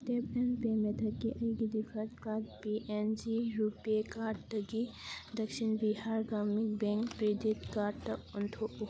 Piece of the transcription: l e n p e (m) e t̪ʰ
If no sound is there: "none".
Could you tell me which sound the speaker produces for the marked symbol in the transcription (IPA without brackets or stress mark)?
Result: m